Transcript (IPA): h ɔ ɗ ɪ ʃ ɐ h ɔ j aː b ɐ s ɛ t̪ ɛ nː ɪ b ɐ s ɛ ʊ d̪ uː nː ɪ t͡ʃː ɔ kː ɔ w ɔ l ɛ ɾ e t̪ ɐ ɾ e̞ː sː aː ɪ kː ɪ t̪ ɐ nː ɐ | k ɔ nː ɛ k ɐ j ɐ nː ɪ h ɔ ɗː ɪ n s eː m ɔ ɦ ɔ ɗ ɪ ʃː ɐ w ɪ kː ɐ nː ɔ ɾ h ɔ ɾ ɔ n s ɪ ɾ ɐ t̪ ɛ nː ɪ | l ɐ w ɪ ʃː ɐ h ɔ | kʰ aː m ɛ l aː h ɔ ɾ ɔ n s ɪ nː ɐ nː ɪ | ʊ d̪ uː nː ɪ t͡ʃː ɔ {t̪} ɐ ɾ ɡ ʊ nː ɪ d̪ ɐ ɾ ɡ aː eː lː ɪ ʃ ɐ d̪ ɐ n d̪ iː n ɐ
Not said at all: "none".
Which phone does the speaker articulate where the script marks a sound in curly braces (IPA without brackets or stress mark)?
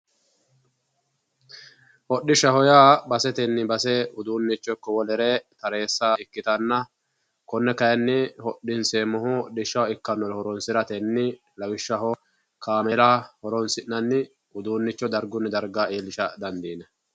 d̪